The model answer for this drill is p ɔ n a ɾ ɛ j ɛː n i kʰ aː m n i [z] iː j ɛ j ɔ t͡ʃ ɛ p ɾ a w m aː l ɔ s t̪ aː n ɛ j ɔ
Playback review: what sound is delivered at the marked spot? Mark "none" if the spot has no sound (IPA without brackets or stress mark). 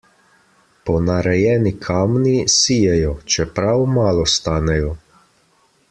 s